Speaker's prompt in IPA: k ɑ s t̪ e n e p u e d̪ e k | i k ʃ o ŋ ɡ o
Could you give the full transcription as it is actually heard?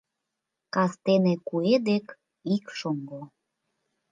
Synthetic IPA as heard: k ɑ s t̪ e n e k u e d̪ e k | i k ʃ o ŋ ɡ o